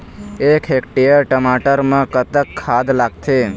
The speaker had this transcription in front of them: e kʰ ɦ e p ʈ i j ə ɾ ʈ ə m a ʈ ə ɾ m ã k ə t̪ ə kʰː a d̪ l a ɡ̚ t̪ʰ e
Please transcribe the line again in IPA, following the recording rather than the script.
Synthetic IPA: e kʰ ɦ e k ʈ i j ə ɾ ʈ ə m a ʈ ə ɾ m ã k ə t̪ ə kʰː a d̪ l a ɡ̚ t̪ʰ e